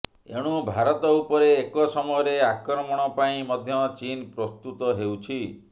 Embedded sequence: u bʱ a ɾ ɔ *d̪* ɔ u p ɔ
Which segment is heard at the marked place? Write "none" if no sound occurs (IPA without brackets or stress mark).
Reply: t̪